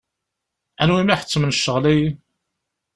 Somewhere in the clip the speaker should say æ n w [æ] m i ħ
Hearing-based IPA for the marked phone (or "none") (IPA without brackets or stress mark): i